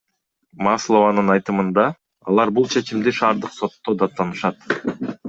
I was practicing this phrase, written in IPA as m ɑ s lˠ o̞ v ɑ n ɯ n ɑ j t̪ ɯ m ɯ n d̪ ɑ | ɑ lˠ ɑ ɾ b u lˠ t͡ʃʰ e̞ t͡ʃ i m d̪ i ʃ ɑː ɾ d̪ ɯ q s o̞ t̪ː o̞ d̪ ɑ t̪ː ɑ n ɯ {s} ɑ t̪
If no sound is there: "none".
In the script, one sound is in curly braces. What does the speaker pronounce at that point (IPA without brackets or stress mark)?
ʃ